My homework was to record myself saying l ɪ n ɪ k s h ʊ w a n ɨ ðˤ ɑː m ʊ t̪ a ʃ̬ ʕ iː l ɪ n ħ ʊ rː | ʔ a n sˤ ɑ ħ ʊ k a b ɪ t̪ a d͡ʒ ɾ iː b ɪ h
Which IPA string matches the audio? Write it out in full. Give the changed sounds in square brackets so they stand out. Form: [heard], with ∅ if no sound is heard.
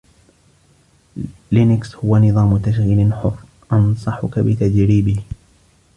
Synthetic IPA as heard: l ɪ n ɪ k s h ʊ w a n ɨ ðˤ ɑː m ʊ t̪ a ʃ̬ [ɣ] iː l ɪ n ħ ʊ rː | ʔ [ɑ] n sˤ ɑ ħ ʊ k a b ɪ t̪ a d͡ʒ ɾ iː b ɪ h